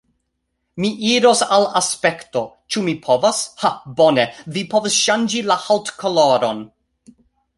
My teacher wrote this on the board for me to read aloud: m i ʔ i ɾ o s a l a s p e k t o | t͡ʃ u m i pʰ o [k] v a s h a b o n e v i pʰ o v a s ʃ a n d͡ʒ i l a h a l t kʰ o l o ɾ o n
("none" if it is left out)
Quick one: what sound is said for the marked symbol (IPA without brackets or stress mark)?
none